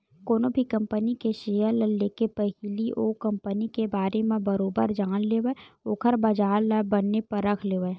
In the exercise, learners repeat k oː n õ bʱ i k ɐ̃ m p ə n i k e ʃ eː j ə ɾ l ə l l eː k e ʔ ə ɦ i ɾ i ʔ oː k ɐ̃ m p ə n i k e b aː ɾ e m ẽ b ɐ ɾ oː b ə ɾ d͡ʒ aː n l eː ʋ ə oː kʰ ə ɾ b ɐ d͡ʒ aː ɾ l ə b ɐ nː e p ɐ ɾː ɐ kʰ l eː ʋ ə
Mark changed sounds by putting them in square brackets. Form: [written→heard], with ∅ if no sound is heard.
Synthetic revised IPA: k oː n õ bʱ i k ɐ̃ m p ə n i k e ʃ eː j ə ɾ l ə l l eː k e [ʔ→p] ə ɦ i [ɾ→l] i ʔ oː k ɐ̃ m p ə n i k e b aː ɾ e m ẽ b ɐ ɾ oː b ə ɾ d͡ʒ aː n l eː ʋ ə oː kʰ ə ɾ b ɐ d͡ʒ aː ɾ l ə b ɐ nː e p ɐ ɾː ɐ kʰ l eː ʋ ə